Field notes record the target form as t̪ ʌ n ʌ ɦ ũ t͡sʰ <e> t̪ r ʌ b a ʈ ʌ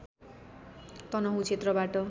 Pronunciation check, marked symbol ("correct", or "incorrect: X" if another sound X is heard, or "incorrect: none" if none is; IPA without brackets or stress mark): correct